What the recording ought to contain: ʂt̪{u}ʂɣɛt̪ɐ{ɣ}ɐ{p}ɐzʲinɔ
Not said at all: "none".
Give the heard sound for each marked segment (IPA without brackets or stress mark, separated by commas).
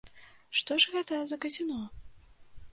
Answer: ɔ, z, k